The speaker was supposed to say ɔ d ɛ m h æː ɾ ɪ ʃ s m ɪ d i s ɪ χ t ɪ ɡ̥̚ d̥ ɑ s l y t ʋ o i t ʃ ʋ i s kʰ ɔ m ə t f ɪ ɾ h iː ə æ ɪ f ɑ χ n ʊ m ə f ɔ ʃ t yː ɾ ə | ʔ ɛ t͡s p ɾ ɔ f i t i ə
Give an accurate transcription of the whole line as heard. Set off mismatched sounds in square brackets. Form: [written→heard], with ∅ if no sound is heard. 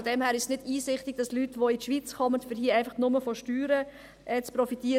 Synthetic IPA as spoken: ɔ d ɛ m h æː ɾ ɪ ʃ s [m→n] ɪ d [i→iː] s ɪ χ t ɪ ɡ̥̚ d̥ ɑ s l y t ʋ o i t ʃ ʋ i [s→t͡s] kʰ ɔ m ə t f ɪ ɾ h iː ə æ ɪ f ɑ χ n ʊ m ə f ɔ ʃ t yː ɾ ə | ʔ ɛ t͡s p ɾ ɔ f i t i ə